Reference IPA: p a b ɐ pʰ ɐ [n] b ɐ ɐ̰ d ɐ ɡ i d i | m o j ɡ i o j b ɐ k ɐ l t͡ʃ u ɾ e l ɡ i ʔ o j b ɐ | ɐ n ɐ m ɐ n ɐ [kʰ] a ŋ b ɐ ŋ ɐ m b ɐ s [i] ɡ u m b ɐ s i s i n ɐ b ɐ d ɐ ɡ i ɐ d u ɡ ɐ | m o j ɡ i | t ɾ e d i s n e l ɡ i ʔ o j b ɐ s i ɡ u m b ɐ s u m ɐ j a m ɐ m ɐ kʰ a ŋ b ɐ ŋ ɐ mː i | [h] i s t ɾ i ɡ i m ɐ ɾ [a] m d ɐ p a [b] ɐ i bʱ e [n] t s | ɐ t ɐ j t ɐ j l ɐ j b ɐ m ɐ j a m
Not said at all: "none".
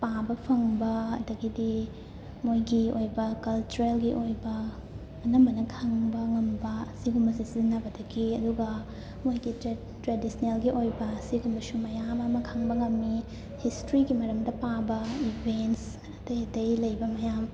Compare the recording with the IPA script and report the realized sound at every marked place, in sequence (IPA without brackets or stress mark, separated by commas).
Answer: ŋ, kʰ, i, h, ɐ, b, n